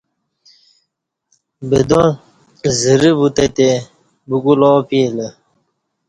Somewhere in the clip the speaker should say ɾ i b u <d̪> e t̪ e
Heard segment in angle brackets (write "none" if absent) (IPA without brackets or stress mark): t̪